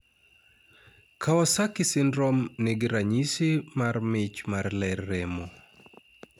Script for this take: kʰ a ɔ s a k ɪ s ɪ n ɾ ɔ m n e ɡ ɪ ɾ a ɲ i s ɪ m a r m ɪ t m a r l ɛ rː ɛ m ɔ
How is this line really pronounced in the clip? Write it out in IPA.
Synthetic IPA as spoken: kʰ a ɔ s a k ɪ s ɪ n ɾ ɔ m n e ɡ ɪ ɾ a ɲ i s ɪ m a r m ɪ t͡ʃ m a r l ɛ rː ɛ m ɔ